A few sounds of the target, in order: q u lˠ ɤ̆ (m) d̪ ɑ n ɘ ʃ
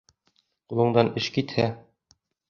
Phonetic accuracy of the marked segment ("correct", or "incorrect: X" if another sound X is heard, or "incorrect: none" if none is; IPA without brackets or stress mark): incorrect: ɴ